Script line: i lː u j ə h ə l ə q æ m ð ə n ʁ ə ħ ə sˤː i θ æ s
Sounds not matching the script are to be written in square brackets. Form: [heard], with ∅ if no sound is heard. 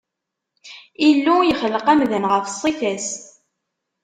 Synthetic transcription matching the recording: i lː u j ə [χ] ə l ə q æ m ð ə n ʁ ə [f] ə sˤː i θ æ s